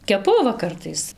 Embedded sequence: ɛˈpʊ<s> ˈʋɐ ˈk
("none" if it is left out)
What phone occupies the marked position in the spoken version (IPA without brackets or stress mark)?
none